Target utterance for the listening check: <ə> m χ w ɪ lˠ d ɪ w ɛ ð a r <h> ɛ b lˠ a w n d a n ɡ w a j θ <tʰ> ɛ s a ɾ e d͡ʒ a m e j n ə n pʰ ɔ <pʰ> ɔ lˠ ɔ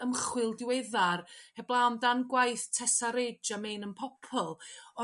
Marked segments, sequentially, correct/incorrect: correct, correct, correct, correct

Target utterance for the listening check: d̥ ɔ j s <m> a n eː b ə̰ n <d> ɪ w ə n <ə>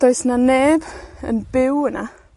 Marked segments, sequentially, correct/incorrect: incorrect, incorrect, incorrect

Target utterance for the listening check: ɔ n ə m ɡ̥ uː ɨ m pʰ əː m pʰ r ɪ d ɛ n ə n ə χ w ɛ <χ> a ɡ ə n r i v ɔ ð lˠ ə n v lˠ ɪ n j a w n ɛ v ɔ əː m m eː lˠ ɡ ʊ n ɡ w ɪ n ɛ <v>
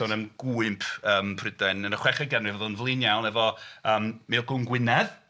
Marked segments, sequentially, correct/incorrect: correct, incorrect

